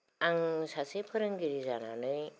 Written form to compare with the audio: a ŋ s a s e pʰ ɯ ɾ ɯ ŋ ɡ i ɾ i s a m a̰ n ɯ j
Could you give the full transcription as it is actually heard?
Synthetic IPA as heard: a ŋ s a s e pʰ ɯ ɾ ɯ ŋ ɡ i ɾ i z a n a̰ n ɯ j